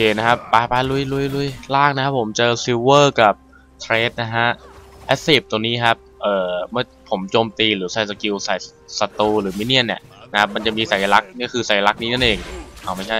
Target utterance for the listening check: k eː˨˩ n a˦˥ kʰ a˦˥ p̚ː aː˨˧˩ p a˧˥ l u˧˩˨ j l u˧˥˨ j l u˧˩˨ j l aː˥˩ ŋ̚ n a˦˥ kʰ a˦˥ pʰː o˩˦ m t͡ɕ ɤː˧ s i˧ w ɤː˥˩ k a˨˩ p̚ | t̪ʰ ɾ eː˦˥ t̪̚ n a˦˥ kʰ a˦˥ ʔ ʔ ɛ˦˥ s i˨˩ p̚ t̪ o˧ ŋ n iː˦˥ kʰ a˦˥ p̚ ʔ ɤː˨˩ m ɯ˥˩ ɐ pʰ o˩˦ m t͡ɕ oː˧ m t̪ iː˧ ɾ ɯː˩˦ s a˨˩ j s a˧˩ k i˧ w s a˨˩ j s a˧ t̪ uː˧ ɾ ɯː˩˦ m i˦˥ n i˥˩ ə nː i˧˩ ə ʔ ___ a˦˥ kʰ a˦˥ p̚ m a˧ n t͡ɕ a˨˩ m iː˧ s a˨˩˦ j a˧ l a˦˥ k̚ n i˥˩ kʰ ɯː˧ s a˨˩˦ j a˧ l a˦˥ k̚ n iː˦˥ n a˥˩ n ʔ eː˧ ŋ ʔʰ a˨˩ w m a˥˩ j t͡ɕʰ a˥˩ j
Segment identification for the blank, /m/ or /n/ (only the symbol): n